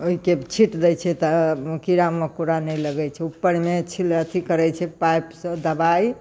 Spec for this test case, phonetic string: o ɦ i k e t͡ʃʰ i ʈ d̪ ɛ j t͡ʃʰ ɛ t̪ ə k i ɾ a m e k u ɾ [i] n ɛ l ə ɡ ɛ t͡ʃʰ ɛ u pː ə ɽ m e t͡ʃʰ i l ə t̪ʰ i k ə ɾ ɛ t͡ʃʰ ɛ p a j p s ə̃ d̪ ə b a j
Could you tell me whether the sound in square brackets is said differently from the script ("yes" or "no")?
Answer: yes